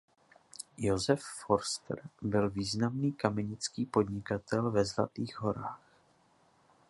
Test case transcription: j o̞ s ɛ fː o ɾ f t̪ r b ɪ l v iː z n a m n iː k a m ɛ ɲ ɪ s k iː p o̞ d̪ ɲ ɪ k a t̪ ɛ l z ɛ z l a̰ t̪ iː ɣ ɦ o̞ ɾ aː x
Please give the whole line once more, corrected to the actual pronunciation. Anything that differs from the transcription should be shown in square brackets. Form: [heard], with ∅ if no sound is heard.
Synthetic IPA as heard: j o̞ [z] ɛ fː o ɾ [s] t̪ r b ɪ l v iː z n a m n iː k a m ɛ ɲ ɪ [t͡s] k iː p o̞ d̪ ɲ ɪ k a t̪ ɛ l [v] ɛ z l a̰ t̪ iː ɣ ɦ o̞ ɾ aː x